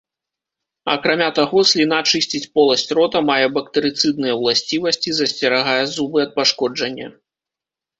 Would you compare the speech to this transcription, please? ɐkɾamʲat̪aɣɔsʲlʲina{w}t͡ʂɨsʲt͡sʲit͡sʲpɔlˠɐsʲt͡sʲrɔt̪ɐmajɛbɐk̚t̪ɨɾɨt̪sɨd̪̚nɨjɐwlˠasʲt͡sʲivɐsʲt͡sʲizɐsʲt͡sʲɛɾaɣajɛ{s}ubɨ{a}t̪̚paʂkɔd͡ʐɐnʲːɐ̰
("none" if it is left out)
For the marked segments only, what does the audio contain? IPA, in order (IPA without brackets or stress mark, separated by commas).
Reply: none, z, ɐ